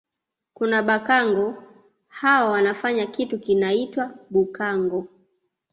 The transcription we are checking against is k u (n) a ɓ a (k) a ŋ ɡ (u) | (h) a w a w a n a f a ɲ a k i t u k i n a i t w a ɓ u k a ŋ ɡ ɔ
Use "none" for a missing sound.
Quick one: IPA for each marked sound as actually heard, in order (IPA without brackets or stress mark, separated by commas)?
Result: n, k, ɔ, h